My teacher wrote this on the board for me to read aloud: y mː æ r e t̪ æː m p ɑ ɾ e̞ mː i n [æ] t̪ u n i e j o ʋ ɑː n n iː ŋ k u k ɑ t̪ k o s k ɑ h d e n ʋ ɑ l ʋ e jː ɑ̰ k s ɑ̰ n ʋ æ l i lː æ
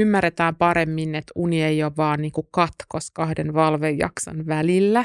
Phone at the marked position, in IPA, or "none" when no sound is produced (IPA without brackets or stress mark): e